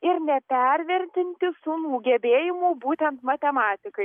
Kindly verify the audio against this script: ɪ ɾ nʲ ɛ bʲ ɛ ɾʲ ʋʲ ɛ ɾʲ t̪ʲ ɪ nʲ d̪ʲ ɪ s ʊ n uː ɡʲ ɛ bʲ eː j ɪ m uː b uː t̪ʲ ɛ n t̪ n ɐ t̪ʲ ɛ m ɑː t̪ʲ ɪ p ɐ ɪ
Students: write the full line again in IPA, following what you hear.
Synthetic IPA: ɪ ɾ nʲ ɛ pʲ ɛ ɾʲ ʋʲ ɛ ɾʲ t̪ʲ ɪ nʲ t̪ʲ ɪ s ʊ n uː ɡʲ ɛ bʲ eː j ɪ m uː b uː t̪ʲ ɛ n t̪ m ɐ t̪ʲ ɛ m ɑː t̪ʲ ɪ k ɐ ɪ